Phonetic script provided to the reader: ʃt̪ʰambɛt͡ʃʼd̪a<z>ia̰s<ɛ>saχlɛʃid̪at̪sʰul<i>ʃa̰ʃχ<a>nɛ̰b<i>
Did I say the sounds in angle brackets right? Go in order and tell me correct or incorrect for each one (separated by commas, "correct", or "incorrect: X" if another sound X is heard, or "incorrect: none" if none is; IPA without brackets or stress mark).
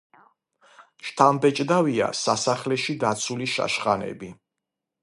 incorrect: v, incorrect: a, correct, correct, correct